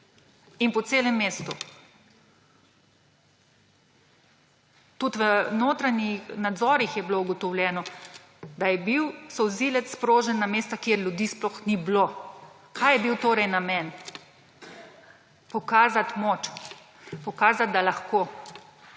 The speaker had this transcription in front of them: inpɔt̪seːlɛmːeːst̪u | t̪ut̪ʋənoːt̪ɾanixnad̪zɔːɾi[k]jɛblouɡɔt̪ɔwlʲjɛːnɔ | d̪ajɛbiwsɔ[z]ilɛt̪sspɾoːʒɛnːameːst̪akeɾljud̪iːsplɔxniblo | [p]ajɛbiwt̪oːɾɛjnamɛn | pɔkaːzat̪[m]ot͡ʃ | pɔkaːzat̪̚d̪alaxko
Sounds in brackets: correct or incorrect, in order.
incorrect: x, correct, incorrect: k, correct

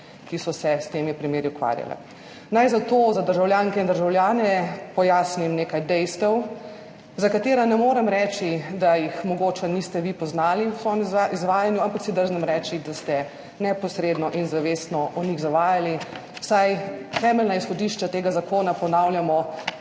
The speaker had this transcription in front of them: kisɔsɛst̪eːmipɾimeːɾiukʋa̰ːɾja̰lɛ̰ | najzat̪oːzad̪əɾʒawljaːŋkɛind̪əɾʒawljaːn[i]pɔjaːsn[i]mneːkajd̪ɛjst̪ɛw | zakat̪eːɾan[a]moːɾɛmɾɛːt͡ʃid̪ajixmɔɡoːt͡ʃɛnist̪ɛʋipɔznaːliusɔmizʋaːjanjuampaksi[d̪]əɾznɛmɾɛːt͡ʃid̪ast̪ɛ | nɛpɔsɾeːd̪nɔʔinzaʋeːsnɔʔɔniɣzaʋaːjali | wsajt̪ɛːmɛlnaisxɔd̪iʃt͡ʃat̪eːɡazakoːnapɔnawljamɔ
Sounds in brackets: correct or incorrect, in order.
incorrect: ɛ, correct, incorrect: ɛ, correct

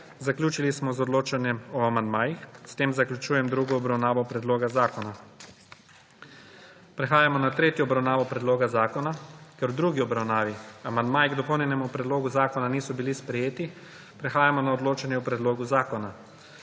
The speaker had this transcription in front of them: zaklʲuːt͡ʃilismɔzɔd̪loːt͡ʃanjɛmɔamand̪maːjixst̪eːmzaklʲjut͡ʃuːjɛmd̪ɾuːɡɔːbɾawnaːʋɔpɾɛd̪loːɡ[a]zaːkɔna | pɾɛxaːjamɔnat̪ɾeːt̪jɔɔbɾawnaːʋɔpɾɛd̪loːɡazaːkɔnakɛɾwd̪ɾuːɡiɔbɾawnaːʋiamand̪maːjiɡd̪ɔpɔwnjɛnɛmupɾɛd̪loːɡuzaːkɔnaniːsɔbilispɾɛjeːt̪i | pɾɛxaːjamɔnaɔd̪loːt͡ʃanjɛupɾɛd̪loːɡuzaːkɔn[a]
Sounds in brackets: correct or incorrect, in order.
correct, correct

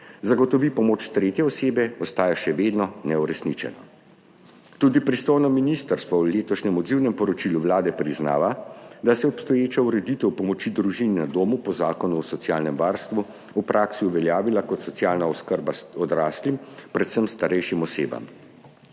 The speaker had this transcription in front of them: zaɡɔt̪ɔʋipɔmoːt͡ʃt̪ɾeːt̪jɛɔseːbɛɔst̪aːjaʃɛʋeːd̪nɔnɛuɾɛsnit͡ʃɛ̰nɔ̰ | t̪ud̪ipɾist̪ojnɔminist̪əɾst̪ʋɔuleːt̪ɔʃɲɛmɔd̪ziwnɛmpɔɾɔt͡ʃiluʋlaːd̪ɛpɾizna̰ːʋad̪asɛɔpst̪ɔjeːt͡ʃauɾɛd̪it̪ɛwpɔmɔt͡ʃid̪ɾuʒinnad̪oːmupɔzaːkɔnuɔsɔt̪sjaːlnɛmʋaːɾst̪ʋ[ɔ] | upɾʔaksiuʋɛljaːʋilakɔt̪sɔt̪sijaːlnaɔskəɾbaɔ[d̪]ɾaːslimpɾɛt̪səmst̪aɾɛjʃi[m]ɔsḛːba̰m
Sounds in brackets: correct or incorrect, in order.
incorrect: u, correct, correct

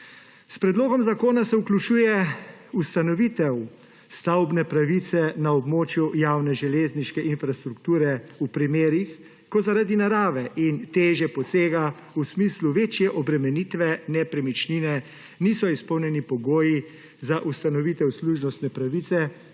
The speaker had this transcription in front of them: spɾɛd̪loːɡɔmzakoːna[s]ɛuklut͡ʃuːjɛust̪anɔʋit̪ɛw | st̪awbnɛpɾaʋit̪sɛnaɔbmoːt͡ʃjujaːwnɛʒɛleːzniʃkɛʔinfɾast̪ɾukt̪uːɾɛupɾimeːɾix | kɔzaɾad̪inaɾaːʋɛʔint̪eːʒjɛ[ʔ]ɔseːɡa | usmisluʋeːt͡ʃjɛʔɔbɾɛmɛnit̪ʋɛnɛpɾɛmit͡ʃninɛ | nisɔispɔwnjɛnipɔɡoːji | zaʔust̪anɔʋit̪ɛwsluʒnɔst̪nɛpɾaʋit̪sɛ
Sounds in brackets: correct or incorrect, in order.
correct, incorrect: p

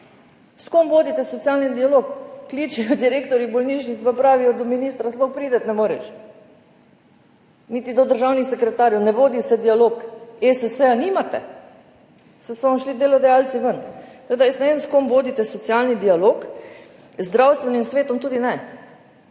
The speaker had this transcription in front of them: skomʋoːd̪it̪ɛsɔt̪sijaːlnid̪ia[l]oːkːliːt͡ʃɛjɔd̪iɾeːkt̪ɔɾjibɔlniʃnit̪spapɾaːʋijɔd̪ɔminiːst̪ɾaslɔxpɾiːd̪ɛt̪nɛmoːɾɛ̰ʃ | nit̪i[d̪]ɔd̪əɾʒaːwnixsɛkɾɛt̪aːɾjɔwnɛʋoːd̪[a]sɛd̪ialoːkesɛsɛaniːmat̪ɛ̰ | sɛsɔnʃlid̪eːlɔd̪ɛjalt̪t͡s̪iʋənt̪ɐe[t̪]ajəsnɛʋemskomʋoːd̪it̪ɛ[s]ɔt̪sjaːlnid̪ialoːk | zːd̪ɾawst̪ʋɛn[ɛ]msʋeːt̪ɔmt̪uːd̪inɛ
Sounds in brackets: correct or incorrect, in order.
correct, correct, incorrect: i, incorrect: d̪, correct, incorrect: i

